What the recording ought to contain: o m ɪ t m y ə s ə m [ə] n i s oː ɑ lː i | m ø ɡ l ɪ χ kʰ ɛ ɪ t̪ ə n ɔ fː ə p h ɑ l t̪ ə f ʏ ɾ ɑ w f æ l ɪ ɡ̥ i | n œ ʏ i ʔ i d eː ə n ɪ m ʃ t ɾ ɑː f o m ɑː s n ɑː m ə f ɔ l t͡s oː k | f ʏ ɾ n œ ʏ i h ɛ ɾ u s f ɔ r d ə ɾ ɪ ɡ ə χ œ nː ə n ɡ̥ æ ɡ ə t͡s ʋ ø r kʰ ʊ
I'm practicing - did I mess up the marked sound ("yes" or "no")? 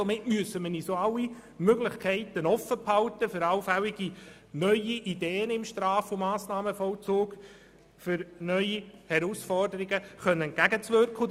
no